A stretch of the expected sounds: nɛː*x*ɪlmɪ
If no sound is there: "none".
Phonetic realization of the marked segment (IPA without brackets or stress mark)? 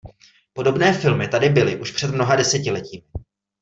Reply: f